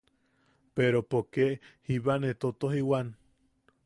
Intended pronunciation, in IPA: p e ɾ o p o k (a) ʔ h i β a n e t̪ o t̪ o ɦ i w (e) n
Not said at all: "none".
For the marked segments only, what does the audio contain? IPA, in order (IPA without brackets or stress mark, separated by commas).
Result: e, a